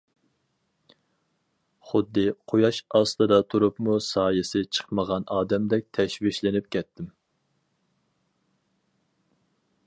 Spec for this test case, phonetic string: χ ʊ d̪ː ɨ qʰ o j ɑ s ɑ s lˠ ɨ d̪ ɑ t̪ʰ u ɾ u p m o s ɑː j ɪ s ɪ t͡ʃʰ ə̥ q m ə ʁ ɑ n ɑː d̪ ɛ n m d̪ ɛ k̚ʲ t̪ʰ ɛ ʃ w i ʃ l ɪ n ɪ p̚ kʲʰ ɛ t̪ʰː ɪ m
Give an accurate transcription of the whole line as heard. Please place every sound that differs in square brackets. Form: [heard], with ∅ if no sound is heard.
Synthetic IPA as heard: χ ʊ d̪ː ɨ qʰ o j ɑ [ʃ] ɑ s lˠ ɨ d̪ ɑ t̪ʰ u ɾ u p m [u] s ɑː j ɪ s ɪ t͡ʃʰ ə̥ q m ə ʁ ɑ n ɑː d̪ ɛ [∅] m d̪ ɛ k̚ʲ t̪ʰ ɛ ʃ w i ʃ l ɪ n ɪ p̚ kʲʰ ɛ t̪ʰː ɪ m